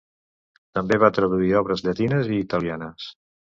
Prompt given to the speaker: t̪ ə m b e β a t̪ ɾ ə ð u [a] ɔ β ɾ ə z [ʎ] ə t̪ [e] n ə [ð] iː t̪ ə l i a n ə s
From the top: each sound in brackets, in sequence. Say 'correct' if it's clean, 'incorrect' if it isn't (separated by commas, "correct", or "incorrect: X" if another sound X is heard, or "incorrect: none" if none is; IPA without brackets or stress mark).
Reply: incorrect: i, correct, incorrect: i, incorrect: z